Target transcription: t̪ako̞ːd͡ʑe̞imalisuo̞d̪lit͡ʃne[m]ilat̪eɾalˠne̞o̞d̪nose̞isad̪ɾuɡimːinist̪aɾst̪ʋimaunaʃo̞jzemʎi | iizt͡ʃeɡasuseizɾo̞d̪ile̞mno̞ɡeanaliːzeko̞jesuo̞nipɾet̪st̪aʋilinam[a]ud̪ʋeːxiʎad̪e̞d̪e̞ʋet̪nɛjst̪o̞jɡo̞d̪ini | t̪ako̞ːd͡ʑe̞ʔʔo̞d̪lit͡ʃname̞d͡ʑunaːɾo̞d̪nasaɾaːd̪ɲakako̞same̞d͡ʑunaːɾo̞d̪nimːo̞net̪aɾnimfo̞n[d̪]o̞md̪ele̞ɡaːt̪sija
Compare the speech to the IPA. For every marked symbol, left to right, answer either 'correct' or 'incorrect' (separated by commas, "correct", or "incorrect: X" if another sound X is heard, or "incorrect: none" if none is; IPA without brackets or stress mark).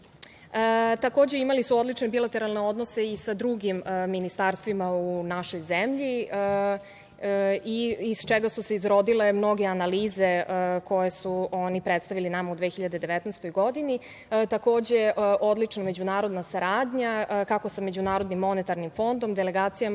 incorrect: b, correct, correct